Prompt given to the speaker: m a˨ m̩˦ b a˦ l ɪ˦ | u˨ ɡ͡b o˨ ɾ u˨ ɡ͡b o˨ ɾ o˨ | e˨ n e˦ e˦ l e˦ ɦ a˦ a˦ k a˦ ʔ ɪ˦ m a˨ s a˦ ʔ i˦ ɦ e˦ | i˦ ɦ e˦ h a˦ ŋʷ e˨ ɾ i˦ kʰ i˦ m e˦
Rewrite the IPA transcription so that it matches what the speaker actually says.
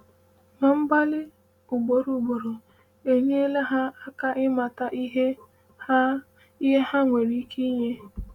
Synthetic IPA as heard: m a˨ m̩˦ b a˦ l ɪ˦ | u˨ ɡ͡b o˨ ɾ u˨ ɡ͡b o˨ ɾ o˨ | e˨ ɲ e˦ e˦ l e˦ ɦ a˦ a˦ k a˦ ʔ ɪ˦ m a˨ t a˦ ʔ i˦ ɦ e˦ | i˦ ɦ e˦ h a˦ ŋʷ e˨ ɾ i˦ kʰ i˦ ɲ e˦

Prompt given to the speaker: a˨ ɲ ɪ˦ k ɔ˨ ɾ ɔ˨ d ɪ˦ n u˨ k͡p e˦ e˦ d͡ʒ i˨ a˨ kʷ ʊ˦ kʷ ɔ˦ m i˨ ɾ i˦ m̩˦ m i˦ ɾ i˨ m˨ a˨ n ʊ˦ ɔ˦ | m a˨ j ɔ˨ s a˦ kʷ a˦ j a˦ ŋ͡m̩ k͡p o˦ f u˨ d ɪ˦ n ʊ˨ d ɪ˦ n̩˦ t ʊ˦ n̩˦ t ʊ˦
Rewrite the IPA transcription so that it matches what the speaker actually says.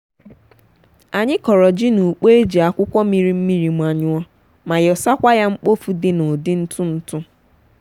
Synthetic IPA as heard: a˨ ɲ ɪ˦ k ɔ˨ ɾ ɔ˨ d͡ʒ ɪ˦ n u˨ k͡p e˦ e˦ d͡ʒ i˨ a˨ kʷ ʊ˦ kʷ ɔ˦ m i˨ ɾ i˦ m̩˦ m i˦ ɾ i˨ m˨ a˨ ɲ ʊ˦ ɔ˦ | m a˨ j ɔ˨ s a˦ kʷ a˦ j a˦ ŋ͡m̩ k͡p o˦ f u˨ d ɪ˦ n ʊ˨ d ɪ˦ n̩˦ t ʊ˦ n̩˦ t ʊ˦

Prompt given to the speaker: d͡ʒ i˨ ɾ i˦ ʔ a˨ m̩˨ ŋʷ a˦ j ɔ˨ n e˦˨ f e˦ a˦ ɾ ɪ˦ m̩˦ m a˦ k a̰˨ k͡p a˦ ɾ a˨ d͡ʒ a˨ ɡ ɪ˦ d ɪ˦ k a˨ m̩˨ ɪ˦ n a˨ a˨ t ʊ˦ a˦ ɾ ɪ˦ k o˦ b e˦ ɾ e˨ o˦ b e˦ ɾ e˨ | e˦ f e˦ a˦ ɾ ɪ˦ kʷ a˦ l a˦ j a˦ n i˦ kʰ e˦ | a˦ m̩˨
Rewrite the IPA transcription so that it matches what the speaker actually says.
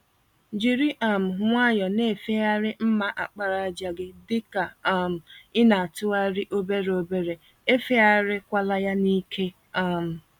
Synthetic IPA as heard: d͡ʒ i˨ ɾ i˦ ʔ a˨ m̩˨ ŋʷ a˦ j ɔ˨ n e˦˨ f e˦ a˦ ɾ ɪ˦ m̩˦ m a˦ ʔ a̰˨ k͡p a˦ ɾ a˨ d͡ʒ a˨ ɡ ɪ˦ d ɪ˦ k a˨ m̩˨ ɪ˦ n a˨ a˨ t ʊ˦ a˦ ɾ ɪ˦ ʔ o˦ b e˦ ɾ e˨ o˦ b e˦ ɾ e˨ | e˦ f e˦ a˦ ɾ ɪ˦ kʷ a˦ l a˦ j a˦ n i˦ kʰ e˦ | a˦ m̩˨

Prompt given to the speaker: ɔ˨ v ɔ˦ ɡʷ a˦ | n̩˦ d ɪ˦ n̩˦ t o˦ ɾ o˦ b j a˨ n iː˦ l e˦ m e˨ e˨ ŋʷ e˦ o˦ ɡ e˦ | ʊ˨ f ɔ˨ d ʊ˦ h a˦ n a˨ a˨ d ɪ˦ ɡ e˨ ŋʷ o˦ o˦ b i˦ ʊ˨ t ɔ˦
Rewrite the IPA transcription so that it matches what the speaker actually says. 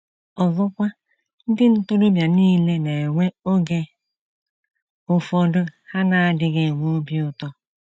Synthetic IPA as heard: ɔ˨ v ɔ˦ kʷ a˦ | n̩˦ d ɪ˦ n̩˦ t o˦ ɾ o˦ b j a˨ n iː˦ l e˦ n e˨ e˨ ŋʷ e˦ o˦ ɡ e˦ | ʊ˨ f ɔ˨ d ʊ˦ h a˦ n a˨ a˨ d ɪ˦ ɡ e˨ ŋʷ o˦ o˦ b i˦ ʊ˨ t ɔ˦

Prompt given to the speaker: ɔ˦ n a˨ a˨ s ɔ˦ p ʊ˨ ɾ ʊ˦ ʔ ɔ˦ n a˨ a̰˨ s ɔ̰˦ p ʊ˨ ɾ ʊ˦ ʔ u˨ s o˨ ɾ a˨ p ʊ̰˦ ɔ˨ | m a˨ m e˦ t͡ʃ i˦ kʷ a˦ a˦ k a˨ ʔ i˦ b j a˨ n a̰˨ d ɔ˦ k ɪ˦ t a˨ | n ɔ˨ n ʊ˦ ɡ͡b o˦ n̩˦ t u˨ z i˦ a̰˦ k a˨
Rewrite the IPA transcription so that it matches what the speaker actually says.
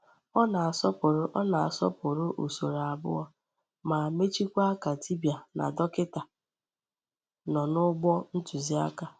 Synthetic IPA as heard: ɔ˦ n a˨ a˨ s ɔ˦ p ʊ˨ ɾ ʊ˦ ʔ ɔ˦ n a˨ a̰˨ s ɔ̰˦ p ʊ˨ ɾ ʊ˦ ʔ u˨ s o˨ ɾ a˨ b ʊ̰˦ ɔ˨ | m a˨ m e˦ t͡ʃ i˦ kʷ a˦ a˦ k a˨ t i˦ b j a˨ n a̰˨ d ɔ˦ k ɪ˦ t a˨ | n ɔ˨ n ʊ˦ ɡ͡b ɔ˦ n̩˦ t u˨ z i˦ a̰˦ k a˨

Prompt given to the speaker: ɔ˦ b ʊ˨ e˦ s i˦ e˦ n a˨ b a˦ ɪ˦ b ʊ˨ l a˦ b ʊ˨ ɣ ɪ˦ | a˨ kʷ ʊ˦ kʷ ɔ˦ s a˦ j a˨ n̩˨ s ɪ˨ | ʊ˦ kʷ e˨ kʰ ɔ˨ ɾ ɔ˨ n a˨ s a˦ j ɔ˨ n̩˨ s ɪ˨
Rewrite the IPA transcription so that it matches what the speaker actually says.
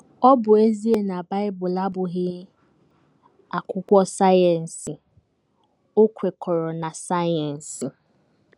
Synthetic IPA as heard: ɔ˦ b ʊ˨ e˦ z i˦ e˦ n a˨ b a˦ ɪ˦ b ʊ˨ l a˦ b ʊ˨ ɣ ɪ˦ | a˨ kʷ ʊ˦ kʷ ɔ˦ s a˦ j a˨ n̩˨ s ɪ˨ | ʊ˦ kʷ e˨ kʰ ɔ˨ ɾ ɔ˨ n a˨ s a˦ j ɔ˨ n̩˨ s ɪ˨

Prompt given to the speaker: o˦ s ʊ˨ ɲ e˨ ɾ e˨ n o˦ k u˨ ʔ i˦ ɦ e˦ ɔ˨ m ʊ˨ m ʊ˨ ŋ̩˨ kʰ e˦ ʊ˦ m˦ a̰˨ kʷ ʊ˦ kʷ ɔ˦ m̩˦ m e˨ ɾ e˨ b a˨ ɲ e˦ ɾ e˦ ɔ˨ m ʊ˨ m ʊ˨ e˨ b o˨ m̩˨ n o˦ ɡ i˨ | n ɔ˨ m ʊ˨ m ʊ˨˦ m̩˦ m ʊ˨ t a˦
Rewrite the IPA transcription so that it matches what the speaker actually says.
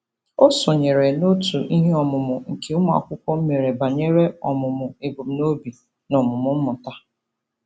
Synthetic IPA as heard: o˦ s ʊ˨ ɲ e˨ ɾ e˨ n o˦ t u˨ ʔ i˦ ɦ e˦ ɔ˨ m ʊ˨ m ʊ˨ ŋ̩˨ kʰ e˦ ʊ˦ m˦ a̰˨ kʷ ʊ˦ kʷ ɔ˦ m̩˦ m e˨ ɾ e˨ b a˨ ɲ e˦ ɾ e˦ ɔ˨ m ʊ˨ m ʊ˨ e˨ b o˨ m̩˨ n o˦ b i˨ | n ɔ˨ m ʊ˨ m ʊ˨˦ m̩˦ m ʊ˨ t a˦

